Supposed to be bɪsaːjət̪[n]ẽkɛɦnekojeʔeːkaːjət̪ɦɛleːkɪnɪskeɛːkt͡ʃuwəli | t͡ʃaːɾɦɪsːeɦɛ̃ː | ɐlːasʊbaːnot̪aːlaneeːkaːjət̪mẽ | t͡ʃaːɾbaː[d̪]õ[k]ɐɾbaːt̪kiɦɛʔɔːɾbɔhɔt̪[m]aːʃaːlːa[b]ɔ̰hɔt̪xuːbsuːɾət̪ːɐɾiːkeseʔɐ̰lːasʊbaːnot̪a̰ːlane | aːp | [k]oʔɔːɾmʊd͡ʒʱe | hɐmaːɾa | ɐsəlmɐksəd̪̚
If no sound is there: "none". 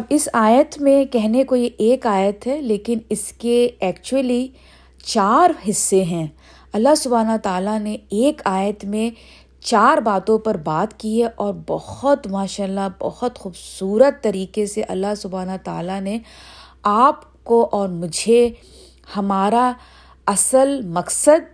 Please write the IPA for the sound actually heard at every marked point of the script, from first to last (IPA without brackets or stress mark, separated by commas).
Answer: m, t̪, p, m, b, k